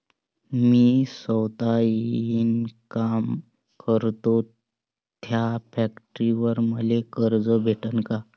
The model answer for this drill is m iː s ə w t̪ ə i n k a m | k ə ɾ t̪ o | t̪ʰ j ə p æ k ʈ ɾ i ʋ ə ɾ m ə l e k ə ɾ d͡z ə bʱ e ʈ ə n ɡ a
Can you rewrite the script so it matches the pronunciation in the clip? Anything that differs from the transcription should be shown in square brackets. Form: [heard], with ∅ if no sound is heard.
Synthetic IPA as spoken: m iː s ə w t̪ [a] i n k a m | k ə ɾ t̪ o | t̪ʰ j [a] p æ k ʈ ɾ i ʋ ə ɾ m ə l e k ə ɾ d͡z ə bʱ e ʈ ə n [k] a